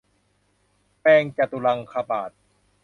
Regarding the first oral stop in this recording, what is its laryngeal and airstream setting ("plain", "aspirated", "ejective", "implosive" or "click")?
plain